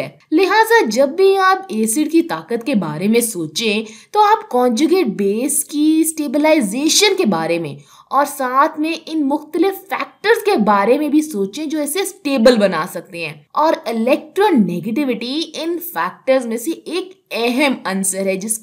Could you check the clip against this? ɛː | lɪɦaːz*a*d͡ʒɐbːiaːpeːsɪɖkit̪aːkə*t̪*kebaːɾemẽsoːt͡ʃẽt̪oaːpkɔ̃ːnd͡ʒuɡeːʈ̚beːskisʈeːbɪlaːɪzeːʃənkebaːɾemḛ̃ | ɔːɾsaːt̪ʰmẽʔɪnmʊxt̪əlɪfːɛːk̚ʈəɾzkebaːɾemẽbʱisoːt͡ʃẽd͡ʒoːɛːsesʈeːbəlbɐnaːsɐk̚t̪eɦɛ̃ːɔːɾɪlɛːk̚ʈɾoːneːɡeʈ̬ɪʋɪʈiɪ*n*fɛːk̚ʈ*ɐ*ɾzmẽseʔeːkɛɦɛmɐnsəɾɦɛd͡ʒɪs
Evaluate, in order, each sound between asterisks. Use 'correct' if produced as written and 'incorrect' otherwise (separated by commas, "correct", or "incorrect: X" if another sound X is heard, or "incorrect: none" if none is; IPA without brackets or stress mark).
correct, correct, correct, incorrect: ə